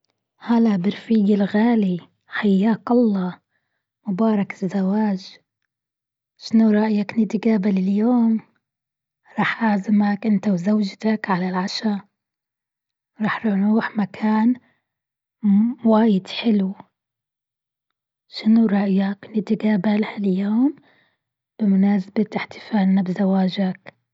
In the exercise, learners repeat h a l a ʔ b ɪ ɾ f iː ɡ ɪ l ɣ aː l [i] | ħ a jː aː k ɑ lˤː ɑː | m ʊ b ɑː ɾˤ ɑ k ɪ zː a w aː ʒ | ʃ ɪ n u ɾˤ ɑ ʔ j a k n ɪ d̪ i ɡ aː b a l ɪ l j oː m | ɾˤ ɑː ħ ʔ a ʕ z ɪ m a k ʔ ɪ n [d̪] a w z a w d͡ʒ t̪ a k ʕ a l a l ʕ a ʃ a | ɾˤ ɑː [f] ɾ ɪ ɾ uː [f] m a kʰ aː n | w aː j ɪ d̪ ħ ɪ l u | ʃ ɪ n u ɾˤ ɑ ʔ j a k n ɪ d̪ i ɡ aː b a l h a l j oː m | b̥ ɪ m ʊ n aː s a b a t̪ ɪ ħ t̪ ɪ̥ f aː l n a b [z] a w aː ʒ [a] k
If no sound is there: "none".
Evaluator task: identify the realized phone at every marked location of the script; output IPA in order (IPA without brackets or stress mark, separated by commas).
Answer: i, t̪, ħ, ħ, z, a